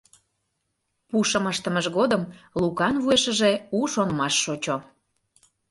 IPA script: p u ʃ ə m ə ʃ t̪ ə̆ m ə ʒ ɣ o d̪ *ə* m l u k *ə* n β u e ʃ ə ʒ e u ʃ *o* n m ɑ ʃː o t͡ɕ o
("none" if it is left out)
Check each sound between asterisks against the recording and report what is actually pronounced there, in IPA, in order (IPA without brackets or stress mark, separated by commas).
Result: ə, ɑ, o